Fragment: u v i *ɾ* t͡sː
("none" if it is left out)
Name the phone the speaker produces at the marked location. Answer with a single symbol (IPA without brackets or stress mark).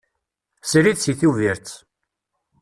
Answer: ɾ